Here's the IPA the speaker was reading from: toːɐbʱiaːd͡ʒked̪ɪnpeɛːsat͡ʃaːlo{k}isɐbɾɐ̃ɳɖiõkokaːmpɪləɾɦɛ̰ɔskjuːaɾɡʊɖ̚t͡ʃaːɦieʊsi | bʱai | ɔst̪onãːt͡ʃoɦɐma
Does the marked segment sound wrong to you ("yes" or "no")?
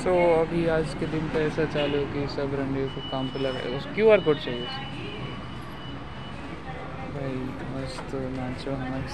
no